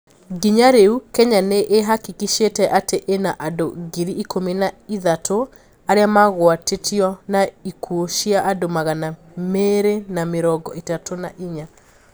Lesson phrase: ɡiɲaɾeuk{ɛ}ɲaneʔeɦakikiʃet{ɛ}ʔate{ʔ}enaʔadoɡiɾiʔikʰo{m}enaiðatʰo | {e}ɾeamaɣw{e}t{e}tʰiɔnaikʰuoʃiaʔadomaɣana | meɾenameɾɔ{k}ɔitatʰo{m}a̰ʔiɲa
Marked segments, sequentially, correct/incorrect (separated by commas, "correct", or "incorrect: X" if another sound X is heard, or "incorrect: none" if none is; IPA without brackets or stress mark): correct, correct, correct, correct, incorrect: a, incorrect: a, correct, incorrect: ɡ, incorrect: n